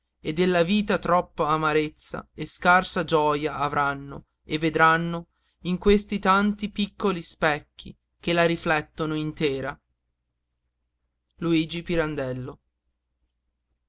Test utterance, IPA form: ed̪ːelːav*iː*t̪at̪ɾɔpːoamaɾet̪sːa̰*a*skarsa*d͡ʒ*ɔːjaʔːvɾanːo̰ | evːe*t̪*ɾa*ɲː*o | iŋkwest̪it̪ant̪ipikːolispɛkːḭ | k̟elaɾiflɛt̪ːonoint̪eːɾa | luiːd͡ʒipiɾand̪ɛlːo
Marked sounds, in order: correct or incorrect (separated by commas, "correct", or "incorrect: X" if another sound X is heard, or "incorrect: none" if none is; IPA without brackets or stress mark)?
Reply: correct, incorrect: e, correct, incorrect: d̪, incorrect: nː